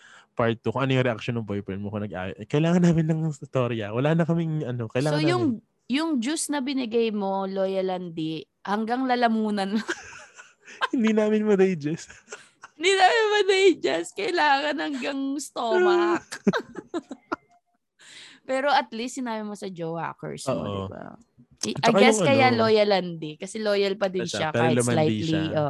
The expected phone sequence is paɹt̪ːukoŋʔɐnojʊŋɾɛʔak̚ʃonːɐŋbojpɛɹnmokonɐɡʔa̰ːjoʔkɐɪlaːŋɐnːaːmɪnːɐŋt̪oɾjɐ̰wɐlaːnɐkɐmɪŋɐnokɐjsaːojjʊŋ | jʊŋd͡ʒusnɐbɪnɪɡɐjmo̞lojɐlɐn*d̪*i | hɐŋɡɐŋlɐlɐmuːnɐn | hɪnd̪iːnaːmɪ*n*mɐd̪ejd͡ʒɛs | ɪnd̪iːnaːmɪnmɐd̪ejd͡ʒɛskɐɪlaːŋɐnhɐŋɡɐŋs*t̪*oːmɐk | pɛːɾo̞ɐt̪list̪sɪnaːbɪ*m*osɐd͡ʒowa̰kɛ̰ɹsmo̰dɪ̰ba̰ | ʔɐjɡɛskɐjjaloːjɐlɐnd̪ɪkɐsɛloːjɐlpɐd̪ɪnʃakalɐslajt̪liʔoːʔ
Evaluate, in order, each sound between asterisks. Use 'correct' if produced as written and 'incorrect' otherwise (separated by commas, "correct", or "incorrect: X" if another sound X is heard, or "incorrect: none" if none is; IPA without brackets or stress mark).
correct, correct, correct, correct